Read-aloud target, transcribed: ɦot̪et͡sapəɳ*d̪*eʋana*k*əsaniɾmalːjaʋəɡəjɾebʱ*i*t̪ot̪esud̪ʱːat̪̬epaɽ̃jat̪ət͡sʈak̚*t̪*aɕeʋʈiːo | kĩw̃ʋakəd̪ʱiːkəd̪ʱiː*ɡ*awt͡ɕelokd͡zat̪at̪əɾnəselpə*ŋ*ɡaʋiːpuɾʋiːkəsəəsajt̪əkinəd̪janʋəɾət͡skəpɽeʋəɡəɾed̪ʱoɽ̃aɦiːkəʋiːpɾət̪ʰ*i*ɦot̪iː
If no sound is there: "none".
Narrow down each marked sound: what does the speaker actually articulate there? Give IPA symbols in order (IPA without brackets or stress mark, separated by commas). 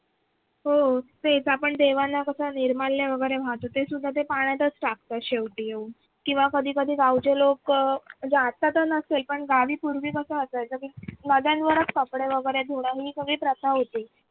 d̪, k, a, t̪, ɡ, ɳ, a